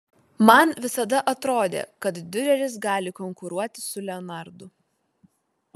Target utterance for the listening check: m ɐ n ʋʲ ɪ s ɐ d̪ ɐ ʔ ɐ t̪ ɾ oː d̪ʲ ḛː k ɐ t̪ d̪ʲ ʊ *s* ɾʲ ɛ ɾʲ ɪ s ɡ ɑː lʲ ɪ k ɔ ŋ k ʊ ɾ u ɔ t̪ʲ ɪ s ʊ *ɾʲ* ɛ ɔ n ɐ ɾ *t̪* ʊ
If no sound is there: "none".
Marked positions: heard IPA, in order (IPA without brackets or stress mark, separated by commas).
none, lʲ, d̪